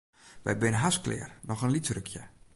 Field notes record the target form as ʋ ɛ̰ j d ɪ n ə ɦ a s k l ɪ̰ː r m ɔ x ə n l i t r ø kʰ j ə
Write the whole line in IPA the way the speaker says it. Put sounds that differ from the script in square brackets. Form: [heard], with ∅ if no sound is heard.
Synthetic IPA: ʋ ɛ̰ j [b] ɪ n ə ɦ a s k l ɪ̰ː r [n] ɔ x ə n l i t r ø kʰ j ə